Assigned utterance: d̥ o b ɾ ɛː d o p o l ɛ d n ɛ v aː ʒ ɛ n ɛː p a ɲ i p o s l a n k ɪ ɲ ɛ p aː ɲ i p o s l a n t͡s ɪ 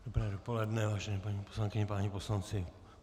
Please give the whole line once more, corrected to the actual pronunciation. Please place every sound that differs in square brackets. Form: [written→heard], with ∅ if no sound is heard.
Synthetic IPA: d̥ o b ɾ ɛː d o p o l ɛ d n ɛ v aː ʒ ɛ n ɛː p a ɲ i p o s l a [n→ŋ] k ɪ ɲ ɛ p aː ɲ i p o s l a n t͡s ɪ